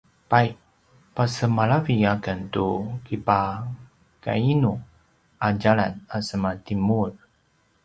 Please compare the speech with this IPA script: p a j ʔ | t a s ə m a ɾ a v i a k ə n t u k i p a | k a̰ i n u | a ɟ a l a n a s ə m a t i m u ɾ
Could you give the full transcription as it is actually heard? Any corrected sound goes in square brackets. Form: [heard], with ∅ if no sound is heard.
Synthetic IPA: p a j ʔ | [p] a s ə m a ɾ a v i a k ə n t u k i p a | k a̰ i n u | a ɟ a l a n a s ə m a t i m u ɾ